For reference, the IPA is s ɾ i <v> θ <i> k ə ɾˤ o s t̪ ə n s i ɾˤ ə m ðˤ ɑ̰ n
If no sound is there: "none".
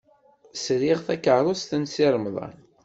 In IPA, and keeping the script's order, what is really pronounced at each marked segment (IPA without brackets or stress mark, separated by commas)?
ʁ, æ